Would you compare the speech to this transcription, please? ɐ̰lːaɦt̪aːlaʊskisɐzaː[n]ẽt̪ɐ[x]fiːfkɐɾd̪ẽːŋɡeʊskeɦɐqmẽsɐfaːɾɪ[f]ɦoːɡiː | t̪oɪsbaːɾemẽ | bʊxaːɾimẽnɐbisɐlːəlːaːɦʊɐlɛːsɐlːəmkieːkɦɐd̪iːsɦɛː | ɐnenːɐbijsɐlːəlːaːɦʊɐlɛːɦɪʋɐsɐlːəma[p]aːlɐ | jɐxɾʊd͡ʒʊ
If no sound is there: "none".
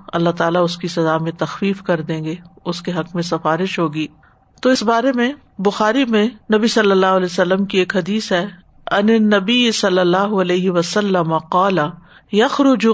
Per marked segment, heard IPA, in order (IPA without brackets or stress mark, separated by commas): m, x, ʃ, q